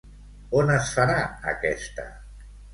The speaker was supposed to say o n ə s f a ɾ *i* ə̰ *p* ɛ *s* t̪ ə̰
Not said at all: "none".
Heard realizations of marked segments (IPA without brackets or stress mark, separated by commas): a, k, s